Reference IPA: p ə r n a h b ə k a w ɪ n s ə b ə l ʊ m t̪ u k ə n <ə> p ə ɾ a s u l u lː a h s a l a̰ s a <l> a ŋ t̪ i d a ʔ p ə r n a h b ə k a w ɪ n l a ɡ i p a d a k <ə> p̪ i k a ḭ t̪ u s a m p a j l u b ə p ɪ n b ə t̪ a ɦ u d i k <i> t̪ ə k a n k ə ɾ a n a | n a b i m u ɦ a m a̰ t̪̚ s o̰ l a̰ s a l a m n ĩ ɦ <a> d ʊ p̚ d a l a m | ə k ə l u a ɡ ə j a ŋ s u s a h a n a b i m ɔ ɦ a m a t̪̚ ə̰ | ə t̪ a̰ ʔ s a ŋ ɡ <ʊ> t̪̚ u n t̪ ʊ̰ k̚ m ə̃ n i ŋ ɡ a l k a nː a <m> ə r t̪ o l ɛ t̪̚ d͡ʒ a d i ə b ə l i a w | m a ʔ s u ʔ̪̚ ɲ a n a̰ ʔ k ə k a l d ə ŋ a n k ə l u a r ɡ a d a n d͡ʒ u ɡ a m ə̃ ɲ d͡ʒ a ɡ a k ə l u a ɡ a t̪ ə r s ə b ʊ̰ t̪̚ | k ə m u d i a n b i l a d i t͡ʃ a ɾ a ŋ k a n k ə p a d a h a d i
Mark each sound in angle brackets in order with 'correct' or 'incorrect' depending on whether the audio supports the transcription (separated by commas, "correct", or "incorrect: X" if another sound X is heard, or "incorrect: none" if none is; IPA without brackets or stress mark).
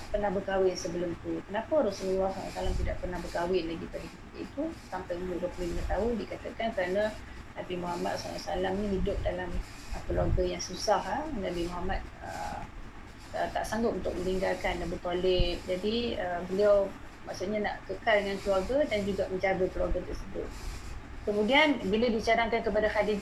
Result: incorrect: a, correct, correct, incorrect: a, incorrect: i, correct, incorrect: b